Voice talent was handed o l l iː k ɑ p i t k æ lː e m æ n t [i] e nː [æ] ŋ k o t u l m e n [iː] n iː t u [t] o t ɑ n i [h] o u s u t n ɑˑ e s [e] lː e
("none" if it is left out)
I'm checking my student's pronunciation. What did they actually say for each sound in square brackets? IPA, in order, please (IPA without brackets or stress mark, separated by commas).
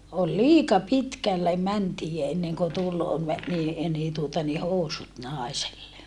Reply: iː, e, iː, none, h, e